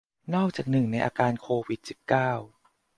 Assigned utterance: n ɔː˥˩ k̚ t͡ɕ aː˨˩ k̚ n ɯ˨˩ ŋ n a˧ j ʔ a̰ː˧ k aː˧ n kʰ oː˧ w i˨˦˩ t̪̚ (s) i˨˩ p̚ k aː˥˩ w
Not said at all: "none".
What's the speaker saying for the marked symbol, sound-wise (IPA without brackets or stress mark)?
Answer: s